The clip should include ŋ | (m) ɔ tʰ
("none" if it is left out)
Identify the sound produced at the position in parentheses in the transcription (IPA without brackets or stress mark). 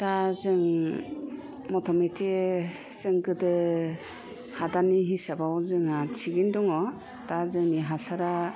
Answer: m